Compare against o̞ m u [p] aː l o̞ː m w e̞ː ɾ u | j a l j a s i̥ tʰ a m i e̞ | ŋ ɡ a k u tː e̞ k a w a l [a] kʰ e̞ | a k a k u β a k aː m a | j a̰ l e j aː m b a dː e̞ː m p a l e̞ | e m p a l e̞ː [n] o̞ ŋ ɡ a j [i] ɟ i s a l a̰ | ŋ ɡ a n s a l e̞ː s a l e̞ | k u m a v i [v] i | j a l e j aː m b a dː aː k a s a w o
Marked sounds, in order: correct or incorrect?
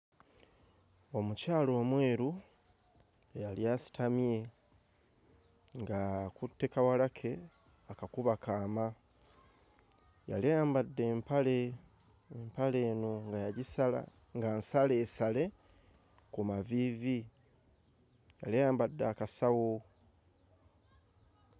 incorrect: c, correct, correct, incorrect: a, correct

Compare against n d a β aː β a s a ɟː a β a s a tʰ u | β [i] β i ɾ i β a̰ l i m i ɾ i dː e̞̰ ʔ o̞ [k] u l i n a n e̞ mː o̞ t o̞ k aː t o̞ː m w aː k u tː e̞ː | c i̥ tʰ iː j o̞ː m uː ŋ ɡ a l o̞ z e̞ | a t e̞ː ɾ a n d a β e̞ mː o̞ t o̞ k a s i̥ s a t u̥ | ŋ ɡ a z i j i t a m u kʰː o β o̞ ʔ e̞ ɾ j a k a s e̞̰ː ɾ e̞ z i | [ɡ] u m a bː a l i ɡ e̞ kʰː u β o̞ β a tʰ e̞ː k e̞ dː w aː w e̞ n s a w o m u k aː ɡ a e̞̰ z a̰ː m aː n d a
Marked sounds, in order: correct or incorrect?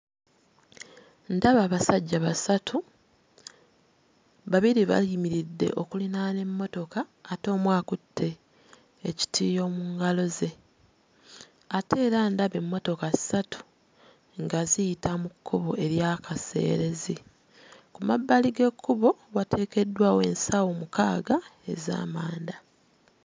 incorrect: a, correct, incorrect: k

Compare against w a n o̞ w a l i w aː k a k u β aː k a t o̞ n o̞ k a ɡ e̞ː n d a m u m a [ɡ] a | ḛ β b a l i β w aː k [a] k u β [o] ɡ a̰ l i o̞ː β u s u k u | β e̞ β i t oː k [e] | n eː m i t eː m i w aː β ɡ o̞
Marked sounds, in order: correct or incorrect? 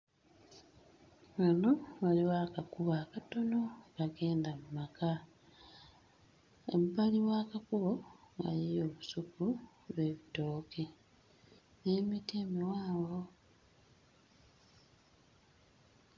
incorrect: k, correct, correct, correct

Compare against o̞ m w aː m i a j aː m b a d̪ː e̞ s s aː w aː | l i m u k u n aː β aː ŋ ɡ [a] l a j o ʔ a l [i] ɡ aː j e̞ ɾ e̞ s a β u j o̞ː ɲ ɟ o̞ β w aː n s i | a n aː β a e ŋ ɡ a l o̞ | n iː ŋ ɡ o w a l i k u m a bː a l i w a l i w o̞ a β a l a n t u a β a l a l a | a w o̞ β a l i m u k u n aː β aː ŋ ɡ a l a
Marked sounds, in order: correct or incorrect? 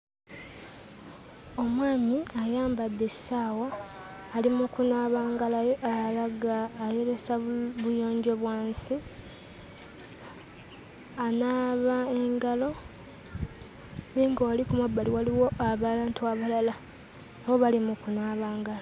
correct, incorrect: a

